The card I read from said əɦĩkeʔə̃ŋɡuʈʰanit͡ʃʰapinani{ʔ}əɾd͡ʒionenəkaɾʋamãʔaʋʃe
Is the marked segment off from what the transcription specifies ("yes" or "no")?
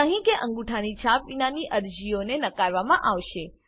no